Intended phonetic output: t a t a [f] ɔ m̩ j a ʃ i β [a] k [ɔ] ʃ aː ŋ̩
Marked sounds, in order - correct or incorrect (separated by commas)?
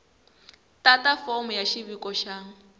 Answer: correct, incorrect, correct